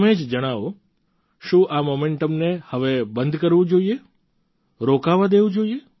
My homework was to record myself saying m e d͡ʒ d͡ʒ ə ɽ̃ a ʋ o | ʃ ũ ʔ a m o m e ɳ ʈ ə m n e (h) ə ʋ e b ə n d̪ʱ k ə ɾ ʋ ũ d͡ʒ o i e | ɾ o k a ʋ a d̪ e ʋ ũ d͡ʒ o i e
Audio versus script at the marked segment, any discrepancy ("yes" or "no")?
no